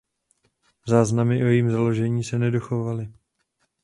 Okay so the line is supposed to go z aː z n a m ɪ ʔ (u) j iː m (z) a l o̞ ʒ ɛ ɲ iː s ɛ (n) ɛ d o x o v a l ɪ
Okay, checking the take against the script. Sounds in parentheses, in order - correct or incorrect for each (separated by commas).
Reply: incorrect, correct, correct